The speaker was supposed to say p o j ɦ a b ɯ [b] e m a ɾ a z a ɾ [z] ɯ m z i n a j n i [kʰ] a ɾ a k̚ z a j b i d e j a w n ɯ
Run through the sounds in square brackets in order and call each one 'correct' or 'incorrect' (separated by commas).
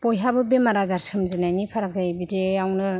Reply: correct, incorrect, incorrect